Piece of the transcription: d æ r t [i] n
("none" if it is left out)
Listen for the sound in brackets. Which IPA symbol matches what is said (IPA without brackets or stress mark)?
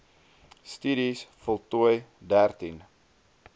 i